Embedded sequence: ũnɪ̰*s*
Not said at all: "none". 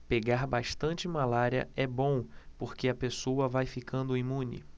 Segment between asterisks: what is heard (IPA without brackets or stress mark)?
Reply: none